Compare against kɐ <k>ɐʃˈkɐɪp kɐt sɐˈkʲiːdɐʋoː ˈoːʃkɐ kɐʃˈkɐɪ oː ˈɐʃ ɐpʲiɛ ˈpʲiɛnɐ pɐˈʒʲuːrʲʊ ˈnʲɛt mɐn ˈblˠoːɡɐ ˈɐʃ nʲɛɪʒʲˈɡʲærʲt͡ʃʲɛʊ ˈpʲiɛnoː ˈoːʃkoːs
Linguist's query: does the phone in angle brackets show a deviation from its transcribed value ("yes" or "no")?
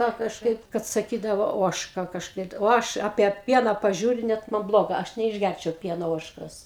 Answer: no